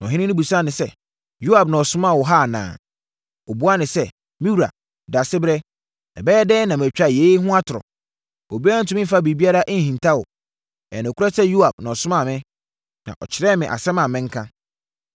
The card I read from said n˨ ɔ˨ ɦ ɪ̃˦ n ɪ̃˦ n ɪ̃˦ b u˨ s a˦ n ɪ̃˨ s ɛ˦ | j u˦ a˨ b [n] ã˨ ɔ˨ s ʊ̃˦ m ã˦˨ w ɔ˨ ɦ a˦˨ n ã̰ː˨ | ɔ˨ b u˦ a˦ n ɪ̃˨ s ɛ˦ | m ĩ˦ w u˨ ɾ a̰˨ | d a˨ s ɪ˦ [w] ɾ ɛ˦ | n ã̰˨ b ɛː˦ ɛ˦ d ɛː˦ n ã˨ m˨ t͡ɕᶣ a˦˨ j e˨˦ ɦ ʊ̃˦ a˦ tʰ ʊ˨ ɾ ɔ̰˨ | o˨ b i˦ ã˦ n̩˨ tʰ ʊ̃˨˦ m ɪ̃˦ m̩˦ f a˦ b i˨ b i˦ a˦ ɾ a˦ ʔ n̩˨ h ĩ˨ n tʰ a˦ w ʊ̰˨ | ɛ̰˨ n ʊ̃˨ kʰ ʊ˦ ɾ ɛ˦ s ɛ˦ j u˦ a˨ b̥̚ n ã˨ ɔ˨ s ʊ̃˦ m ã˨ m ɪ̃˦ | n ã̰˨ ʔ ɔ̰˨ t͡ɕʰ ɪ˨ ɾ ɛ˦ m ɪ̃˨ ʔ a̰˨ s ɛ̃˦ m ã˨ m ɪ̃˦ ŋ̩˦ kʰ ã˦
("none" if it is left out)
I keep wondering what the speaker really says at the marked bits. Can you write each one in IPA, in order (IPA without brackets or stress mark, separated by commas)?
n, b